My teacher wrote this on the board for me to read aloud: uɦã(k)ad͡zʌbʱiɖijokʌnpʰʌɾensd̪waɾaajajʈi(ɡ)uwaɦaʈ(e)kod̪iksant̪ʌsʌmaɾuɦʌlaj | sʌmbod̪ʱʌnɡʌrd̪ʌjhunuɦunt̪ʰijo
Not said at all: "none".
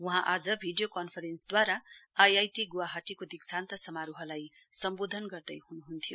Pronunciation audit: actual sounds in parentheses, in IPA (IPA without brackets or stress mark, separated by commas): ʔ, ɡ, i